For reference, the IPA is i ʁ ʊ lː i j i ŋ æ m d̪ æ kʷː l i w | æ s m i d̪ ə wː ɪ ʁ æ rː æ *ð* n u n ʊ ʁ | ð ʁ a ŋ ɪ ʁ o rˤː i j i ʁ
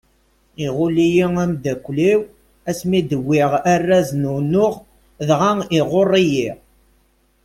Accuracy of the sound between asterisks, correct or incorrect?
incorrect